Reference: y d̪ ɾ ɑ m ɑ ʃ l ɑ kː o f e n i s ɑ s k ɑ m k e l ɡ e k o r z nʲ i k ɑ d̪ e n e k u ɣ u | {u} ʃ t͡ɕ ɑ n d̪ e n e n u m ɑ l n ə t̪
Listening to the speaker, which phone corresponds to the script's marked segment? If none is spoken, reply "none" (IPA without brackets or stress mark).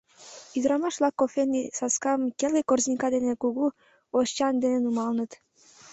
o